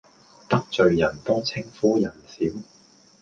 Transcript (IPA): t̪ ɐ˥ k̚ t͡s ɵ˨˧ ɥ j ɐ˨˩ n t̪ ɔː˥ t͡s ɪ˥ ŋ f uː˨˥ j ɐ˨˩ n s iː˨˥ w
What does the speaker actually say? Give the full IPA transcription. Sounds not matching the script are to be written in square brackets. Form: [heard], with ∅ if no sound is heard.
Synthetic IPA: t̪ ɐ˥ k̚ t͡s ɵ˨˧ ɥ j ɐ˨˩ n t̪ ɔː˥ [t͡sʰ] ɪ˥ ŋ f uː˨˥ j ɐ˨˩ n s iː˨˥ w